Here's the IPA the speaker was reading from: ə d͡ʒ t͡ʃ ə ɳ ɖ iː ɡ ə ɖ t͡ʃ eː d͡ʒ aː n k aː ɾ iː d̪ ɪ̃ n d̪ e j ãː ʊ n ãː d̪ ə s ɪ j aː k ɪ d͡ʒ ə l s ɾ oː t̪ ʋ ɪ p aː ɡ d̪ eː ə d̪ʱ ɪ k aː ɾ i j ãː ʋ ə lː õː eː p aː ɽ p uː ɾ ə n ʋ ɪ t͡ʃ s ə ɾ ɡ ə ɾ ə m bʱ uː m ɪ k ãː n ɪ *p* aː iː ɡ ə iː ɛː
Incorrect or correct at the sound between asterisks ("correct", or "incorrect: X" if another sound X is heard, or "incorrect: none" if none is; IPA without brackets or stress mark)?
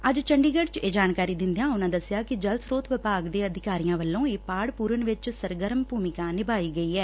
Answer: incorrect: b